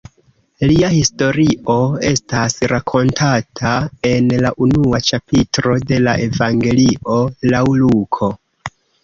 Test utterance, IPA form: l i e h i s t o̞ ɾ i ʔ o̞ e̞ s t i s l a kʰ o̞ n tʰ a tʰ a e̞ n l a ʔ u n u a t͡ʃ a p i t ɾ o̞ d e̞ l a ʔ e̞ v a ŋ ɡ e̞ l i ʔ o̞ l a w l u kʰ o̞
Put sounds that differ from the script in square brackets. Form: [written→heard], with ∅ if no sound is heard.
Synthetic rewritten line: l i [e→a] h i s t o̞ ɾ i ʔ o̞ e̞ s t [i→a] s [l→ɾ] a kʰ o̞ n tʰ a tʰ a e̞ n l a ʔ u n u a t͡ʃ a p i t ɾ o̞ d e̞ l a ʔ e̞ v a ŋ ɡ e̞ l i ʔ o̞ l a w l u kʰ o̞